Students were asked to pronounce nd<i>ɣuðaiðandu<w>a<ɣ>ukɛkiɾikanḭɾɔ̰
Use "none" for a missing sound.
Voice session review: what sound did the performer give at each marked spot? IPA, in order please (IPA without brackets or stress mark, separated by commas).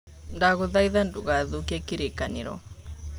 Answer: a, ɣ, ð